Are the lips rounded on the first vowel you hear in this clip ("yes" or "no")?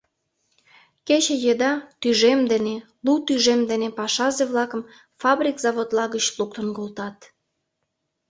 no